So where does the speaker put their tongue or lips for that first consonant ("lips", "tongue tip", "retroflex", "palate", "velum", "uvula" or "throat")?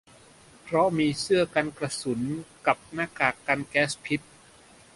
lips